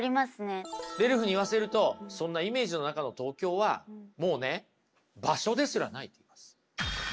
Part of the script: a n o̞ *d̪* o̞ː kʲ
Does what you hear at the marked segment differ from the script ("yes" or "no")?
yes